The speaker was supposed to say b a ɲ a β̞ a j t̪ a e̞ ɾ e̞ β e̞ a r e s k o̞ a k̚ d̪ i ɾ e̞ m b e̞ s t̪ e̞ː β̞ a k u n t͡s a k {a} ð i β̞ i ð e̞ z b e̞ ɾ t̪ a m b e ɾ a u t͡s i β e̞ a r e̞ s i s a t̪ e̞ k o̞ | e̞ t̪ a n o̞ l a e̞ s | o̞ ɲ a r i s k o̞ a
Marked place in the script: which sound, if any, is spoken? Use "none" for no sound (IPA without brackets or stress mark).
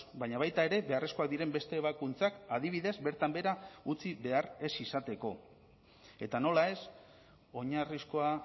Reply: a